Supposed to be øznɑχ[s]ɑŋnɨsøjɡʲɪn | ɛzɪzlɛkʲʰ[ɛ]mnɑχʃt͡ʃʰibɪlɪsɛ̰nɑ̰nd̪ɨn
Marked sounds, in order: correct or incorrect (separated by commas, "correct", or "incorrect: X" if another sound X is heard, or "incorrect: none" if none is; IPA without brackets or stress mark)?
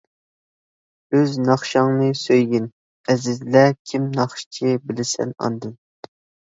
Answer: incorrect: ʃ, incorrect: i